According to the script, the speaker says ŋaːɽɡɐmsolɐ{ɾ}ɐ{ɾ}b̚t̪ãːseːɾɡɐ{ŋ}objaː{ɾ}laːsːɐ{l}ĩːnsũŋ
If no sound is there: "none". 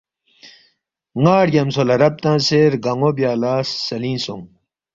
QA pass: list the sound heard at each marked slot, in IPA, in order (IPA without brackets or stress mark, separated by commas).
ɾ, none, ŋ, none, l